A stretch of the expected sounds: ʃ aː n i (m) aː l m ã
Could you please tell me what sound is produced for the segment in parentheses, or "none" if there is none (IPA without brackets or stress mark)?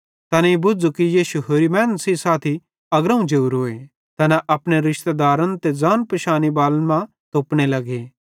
b